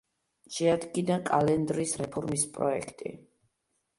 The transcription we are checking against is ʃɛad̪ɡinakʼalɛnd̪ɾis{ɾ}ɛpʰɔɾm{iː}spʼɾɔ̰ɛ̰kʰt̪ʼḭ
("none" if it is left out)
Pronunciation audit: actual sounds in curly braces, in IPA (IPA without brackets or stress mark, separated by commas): ɾ, i